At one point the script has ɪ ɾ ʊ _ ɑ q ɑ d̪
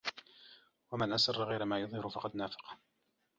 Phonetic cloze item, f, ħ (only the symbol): f